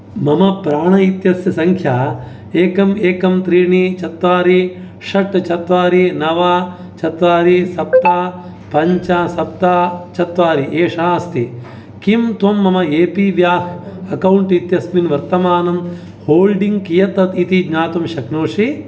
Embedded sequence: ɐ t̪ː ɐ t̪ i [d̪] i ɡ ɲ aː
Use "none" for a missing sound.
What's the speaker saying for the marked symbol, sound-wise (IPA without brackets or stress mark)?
t̪